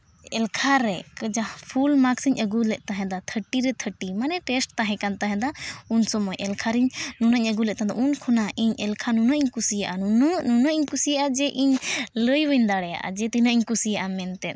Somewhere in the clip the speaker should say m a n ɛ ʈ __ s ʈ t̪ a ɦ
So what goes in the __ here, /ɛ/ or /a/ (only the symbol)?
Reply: ɛ